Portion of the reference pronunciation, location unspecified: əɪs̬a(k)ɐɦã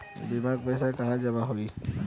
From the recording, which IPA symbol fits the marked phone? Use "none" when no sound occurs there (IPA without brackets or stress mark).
k